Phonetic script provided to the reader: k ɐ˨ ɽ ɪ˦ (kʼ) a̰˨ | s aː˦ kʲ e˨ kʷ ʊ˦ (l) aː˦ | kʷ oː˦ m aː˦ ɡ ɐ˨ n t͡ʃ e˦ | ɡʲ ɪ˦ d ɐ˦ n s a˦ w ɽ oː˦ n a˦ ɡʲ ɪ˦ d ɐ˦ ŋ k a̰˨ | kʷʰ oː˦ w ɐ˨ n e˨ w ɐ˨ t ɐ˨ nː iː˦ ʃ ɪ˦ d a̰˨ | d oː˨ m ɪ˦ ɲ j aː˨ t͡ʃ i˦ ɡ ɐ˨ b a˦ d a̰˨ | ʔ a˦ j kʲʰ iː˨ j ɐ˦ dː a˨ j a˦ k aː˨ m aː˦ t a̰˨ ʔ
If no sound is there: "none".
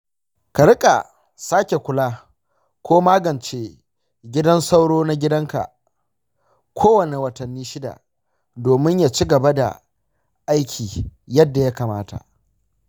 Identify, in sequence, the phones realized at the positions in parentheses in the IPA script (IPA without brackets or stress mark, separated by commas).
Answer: kʼ, l